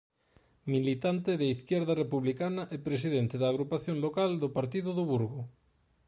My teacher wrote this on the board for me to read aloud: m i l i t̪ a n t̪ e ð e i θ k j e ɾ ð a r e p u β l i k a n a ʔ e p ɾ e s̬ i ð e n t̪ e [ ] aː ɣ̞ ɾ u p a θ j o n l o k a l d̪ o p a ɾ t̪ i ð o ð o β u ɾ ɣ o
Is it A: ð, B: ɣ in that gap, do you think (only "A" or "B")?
A